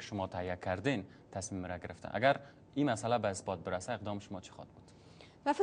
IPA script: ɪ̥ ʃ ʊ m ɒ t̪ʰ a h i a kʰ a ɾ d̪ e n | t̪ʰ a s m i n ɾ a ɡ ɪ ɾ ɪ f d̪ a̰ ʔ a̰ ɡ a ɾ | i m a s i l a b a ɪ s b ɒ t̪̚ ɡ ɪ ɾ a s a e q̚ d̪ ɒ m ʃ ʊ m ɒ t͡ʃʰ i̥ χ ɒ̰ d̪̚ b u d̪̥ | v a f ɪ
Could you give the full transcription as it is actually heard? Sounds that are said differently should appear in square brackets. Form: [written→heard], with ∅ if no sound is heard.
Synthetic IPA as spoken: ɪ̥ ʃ ʊ m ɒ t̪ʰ a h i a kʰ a ɾ d̪ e n | t̪ʰ a s m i [n→m] ɾ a ɡ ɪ ɾ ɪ f [d̪→t̪] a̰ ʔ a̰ ɡ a ɾ | i m a s [i→a] l a b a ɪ s b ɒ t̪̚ [ɡ→b] ɪ ɾ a s a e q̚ d̪ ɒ m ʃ ʊ m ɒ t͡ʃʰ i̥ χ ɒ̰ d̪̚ b u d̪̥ | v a f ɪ